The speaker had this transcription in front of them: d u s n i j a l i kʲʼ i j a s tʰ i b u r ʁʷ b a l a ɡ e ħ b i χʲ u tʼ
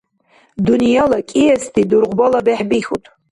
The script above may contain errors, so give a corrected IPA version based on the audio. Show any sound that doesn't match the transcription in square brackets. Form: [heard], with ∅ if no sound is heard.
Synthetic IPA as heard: d u [∅] n i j a l [a] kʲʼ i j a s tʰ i [d] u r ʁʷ b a l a [b] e ħ b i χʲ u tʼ